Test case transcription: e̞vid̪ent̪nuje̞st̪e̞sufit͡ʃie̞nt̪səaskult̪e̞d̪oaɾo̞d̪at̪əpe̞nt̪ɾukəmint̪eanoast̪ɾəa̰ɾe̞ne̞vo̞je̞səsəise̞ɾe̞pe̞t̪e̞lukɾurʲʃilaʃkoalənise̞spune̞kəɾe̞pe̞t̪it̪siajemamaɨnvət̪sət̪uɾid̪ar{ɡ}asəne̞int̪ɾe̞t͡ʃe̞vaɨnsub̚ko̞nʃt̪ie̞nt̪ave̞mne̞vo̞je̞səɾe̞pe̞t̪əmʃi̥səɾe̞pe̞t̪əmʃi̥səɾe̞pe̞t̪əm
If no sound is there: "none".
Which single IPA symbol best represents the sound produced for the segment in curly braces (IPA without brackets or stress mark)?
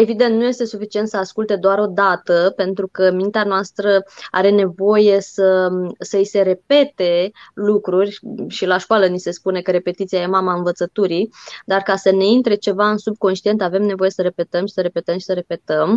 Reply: k